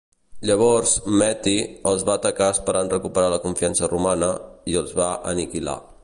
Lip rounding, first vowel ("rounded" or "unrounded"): unrounded